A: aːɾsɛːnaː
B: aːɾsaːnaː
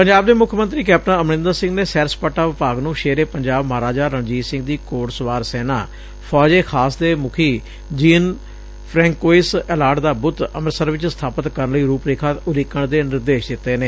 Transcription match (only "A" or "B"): A